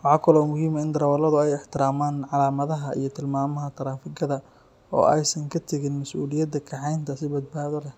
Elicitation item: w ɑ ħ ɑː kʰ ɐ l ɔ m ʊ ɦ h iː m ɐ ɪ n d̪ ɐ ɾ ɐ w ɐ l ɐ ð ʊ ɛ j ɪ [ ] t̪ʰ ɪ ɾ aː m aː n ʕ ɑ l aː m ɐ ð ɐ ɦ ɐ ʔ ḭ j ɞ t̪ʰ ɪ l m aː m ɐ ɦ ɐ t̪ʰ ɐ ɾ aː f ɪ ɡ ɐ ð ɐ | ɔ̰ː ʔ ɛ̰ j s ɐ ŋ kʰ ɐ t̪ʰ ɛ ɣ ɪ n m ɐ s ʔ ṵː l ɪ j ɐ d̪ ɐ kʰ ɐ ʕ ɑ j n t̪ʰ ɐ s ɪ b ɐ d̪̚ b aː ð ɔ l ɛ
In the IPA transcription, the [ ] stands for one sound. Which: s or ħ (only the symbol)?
ħ